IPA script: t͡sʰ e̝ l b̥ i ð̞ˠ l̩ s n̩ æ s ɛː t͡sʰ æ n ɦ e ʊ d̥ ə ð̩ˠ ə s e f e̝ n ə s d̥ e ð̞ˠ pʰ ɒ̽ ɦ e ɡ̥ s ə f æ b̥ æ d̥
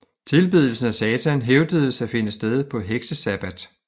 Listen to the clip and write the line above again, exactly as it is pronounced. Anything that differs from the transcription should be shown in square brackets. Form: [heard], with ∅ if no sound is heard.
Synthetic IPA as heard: t͡sʰ e̝ l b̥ i ð̞ˠ l̩ s n̩ æ s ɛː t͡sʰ æ n ɦ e ʊ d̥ ə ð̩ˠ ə s [æ] f e̝ n ə s d̥ e ð̞ˠ pʰ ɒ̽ ɦ e ɡ̥ s ə [s] æ b̥ æ d̥